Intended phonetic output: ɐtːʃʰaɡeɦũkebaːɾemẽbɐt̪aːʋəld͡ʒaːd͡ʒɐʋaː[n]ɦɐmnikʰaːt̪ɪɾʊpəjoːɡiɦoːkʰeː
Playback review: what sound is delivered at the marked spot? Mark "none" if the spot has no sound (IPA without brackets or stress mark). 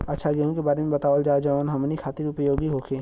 n